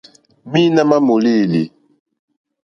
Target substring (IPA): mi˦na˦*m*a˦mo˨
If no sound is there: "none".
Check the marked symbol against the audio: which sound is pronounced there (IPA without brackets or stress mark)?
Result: m